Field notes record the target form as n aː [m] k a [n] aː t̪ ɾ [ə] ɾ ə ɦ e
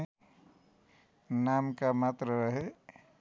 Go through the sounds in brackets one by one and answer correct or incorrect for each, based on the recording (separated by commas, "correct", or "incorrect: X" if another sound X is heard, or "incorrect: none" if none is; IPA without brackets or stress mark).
correct, incorrect: m, correct